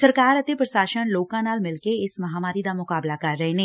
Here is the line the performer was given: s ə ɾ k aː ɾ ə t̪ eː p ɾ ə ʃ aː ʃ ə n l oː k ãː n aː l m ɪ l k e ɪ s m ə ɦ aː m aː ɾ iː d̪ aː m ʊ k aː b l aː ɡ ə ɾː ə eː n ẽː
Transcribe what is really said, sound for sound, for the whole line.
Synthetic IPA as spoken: s ə ɾ k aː ɾ ə t̪ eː p ɾ ə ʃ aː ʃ ə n l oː k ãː n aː l m ɪ l k e ɪ s m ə ɦ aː m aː ɾ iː d̪ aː m ʊ k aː b l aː k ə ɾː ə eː n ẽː